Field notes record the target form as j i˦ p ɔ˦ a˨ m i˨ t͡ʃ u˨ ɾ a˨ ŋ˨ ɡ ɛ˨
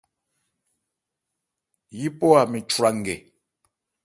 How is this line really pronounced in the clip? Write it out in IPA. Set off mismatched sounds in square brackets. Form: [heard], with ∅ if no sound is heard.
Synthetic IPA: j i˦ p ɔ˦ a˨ m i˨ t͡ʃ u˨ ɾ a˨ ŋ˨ ɡ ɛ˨